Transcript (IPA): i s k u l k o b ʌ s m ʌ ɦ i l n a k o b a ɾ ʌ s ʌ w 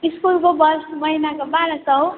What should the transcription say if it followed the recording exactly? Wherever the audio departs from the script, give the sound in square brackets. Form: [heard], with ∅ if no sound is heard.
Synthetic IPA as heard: i s k u l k o b ʌ s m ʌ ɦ i [∅] n a k o b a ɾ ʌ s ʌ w